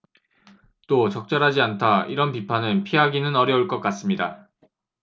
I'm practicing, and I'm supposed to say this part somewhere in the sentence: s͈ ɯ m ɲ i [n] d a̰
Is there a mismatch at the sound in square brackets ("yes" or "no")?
yes